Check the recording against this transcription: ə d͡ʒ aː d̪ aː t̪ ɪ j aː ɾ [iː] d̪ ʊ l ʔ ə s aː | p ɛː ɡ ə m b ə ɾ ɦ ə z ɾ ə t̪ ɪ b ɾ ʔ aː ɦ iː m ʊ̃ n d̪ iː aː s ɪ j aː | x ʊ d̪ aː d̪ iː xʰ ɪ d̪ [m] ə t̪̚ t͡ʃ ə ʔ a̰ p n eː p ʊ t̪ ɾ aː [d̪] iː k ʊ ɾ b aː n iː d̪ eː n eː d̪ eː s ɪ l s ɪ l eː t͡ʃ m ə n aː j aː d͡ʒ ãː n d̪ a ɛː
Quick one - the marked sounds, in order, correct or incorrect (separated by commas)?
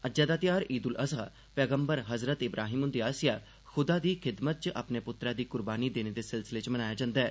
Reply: correct, correct, correct